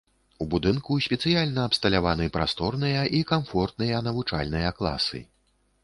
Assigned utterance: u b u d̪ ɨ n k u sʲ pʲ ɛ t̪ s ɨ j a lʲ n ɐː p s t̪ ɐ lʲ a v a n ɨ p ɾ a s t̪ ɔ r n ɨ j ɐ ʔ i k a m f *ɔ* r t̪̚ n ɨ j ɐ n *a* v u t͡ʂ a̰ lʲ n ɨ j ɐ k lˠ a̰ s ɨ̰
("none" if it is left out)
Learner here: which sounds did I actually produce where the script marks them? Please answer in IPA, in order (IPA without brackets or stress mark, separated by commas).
ɔ, ɐ